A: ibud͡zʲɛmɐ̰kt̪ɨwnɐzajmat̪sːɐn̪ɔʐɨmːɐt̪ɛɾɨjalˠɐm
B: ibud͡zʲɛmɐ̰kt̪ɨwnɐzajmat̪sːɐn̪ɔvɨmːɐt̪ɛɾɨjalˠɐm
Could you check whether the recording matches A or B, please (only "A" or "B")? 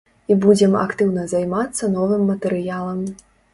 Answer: B